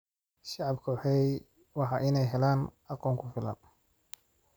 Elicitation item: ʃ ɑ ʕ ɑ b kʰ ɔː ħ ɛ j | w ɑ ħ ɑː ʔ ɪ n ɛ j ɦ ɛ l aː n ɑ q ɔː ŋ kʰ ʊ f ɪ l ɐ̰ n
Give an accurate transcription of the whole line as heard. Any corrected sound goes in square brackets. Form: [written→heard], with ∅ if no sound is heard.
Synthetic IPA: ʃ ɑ ʕ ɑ b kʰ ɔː ħ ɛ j | w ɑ ħ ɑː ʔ ɪ n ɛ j ɦ ɛ l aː n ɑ q ɔː ŋ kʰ ʊ f ɪ l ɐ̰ n